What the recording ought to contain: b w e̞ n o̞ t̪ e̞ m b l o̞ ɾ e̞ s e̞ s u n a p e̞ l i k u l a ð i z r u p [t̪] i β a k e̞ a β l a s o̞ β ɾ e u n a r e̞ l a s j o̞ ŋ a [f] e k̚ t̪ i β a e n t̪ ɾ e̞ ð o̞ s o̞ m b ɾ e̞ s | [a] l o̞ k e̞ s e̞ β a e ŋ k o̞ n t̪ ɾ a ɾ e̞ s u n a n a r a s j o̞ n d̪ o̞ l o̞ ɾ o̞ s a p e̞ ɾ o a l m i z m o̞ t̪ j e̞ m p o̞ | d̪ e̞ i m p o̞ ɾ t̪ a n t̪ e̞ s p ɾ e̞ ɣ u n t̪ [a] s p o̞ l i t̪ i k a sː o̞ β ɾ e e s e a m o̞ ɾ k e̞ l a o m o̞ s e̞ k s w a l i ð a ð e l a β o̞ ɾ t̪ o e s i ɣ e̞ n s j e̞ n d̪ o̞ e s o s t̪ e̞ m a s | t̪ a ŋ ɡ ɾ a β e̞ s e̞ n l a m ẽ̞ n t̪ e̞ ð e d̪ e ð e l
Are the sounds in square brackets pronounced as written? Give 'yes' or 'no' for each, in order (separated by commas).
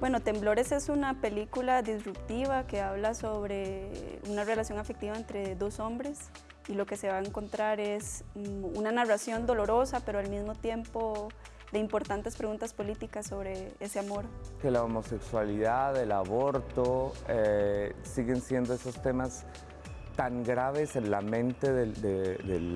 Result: yes, yes, no, yes